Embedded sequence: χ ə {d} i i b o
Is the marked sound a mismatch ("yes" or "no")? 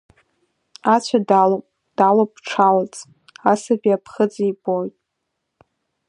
yes